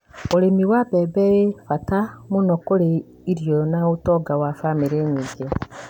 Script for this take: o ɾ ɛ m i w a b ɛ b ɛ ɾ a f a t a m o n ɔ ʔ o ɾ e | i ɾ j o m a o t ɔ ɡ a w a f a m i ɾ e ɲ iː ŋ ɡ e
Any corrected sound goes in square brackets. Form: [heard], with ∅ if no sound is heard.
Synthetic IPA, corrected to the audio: o ɾ [e] m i w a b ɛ b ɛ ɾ [e] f a t a m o n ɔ [k] o ɾ e | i ɾ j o [n] a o t ɔ ɡ a w a f a m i ɾ e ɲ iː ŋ ɡ e